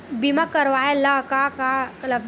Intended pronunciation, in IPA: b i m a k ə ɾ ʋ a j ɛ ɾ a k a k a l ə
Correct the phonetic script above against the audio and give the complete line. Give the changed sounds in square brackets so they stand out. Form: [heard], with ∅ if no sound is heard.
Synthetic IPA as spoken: b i m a k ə ɾ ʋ a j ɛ [l] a k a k a l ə